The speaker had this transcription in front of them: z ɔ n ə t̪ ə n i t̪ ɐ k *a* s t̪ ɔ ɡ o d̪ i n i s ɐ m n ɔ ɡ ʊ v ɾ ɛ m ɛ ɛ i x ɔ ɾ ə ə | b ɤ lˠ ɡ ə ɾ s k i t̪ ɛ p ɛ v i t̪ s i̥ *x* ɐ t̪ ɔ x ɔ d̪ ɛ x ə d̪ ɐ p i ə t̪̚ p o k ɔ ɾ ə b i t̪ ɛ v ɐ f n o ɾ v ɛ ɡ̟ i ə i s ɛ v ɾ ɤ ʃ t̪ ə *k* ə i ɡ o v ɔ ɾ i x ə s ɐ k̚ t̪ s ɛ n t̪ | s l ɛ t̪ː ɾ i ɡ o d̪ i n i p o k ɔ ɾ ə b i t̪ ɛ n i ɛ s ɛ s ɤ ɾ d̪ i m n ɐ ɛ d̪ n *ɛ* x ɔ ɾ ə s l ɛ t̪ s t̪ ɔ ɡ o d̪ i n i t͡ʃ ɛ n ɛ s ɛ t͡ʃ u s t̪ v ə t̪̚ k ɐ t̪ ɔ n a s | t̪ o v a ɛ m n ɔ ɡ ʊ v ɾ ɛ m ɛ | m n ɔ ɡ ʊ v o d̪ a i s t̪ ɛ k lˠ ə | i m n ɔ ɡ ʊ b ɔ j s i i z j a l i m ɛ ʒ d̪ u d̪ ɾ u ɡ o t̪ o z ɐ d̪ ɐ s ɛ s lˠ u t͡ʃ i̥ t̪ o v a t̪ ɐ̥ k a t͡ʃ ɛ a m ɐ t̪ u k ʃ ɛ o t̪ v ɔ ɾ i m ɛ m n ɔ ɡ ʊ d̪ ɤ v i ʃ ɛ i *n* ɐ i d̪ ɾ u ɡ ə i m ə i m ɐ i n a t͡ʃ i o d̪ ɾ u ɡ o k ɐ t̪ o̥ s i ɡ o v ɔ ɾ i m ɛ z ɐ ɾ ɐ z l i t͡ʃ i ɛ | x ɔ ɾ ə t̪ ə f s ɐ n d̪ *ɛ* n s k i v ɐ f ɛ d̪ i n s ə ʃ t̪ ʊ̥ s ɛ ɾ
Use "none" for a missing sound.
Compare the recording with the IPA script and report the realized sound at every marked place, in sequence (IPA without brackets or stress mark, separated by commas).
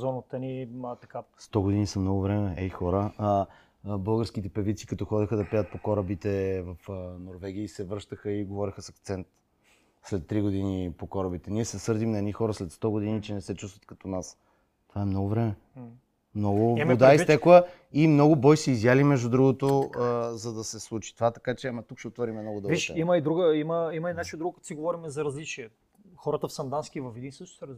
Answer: a, k, x, i, m, a